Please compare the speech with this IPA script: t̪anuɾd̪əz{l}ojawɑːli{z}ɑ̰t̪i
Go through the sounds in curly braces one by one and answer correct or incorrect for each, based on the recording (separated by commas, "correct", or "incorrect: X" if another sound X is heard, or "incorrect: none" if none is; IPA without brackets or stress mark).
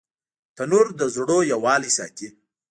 incorrect: ɽ, incorrect: s